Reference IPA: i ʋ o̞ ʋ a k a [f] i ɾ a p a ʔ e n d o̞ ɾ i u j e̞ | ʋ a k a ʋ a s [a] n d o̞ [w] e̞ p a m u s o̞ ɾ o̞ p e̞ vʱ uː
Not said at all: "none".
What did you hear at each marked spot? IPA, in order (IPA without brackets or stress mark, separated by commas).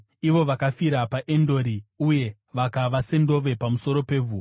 f, e, ʋ